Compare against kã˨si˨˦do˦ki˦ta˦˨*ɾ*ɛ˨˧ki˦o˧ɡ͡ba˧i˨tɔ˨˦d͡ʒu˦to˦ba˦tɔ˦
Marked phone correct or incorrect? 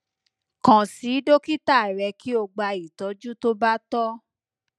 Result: correct